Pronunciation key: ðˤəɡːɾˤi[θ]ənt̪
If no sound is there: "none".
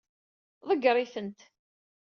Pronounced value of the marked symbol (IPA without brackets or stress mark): θ